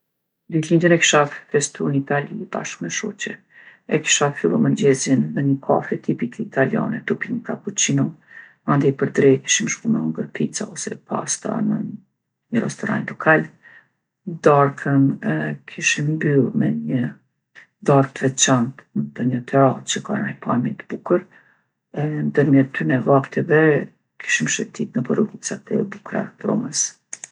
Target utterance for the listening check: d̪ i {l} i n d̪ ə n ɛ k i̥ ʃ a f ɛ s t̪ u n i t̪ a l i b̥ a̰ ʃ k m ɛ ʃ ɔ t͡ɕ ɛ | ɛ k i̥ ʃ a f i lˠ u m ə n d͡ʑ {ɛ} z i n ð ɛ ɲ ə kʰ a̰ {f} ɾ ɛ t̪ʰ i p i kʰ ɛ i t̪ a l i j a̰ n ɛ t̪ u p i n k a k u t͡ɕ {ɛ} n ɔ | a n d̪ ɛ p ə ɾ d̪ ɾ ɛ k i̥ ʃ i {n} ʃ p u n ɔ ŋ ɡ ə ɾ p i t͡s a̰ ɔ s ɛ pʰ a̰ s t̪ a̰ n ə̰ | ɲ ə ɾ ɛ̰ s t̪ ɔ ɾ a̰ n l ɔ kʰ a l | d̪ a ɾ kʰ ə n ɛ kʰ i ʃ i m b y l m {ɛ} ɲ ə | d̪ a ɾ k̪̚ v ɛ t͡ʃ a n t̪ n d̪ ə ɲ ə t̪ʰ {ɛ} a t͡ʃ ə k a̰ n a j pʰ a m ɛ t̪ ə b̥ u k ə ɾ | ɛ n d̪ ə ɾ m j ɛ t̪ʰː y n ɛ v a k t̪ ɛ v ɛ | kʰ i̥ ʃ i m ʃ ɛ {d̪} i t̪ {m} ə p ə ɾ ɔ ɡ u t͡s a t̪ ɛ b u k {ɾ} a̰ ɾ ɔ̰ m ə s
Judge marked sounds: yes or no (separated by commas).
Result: yes, yes, yes, no, no, yes, yes, no, no, yes